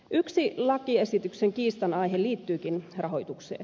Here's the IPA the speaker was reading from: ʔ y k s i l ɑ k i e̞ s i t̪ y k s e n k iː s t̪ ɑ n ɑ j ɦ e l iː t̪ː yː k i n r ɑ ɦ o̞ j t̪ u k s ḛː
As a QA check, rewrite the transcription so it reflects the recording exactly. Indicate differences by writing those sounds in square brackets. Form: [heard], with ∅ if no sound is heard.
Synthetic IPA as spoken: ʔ y k s i l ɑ k i e̞ s i t̪ y k s e [ŋ] k iː s t̪ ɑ n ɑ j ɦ e l iː t̪ː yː k i n r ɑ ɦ o̞ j t̪ u k s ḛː